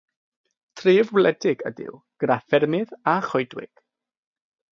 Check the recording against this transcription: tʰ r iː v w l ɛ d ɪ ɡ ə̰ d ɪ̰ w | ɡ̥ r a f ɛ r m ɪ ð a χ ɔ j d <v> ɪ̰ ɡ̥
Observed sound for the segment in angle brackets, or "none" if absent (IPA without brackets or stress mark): w